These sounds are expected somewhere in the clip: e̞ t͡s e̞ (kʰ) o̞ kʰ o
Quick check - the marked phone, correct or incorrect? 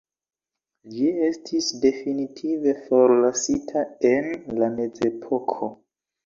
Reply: incorrect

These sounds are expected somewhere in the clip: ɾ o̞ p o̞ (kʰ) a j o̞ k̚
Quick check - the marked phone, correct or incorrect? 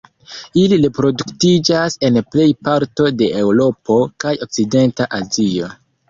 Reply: incorrect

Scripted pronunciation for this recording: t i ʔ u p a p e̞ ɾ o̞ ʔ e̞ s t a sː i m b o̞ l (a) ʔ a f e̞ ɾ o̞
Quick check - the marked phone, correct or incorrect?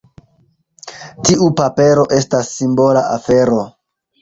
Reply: correct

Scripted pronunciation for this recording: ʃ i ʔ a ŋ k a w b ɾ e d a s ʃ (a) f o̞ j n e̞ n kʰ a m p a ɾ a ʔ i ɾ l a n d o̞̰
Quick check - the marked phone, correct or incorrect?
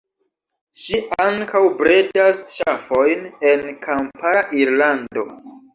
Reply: correct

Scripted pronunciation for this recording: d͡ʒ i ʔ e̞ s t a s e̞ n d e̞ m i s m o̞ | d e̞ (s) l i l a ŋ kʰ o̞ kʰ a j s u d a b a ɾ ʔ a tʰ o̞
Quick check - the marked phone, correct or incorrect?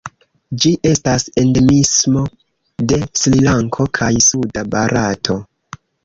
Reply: correct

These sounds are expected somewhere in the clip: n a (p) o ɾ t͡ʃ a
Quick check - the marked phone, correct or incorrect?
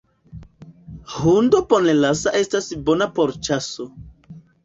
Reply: correct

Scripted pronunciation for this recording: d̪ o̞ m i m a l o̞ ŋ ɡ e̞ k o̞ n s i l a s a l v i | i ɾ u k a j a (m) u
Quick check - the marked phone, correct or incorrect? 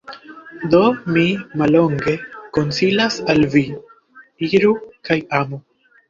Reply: correct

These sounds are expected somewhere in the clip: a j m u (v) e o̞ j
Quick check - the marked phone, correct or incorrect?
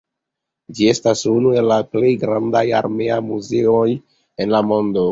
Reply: incorrect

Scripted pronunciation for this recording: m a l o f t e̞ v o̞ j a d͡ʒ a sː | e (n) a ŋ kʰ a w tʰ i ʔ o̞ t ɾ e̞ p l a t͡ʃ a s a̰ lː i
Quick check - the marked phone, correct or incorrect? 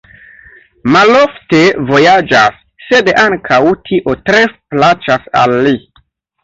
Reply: incorrect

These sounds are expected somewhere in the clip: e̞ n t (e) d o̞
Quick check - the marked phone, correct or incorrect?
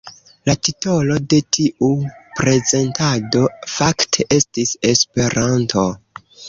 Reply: incorrect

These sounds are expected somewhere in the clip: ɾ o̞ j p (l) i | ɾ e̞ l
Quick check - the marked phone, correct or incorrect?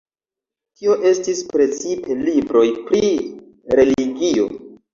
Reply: incorrect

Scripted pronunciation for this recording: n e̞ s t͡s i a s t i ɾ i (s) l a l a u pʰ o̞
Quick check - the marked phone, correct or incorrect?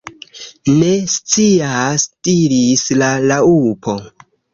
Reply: correct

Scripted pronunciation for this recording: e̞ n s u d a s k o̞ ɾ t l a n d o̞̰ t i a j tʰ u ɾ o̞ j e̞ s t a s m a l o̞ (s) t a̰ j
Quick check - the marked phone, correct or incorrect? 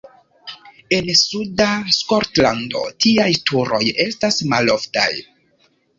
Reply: incorrect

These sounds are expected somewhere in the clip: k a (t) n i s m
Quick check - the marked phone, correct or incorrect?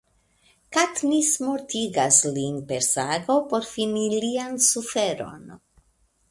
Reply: correct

